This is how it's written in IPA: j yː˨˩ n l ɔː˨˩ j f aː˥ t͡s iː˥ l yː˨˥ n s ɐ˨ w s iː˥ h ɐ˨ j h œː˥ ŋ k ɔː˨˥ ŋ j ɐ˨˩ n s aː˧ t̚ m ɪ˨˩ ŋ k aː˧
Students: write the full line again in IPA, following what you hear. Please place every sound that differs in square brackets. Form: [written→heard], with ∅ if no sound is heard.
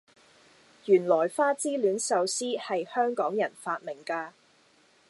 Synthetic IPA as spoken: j yː˨˩ n l ɔː˨˩ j f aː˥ t͡s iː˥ l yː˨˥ n s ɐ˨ w s iː˥ h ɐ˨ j h œː˥ ŋ k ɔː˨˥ ŋ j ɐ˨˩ n [s→f] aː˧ t̚ m ɪ˨˩ ŋ k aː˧